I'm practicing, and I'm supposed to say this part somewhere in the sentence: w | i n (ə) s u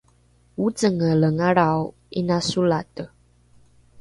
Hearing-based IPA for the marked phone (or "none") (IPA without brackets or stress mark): a